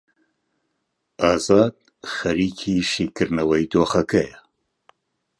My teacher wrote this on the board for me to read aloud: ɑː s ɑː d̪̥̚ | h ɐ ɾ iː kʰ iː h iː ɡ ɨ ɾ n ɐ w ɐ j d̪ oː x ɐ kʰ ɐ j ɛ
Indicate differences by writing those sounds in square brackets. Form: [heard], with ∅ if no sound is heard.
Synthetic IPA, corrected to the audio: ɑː [z] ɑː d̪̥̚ | [x] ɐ ɾ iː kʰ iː [ʃ] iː [k] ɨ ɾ n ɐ w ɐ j d̪ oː x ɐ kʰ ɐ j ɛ